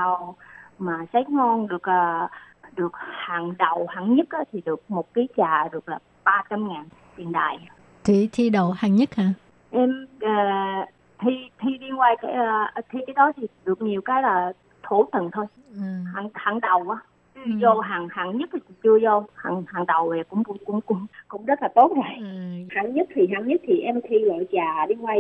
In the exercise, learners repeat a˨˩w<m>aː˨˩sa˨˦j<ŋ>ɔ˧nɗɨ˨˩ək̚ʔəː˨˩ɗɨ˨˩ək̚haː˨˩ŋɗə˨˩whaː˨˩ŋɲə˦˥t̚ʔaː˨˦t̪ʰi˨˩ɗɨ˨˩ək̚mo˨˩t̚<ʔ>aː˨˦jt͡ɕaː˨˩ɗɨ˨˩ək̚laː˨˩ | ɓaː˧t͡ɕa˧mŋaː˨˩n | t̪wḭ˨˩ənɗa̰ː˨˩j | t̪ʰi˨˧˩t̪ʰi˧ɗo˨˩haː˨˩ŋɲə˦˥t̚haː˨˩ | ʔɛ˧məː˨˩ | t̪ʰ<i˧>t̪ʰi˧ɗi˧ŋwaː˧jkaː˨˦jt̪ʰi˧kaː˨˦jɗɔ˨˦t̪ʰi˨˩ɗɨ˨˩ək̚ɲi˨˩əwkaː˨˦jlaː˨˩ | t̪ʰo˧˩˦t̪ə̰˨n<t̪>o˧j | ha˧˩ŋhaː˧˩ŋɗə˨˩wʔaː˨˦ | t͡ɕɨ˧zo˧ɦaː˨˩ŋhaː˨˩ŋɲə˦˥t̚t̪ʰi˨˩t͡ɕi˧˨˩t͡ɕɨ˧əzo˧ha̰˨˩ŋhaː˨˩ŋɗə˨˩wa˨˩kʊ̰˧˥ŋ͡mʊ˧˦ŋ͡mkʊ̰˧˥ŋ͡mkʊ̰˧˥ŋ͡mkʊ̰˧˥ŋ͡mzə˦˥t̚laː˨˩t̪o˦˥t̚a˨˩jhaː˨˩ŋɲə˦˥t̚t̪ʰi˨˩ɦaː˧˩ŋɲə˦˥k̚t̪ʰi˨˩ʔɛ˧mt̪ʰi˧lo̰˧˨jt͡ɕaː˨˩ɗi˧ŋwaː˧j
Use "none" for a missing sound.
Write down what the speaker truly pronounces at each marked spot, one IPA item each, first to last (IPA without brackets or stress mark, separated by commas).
m, ŋ, k, i˧, t̪ʰ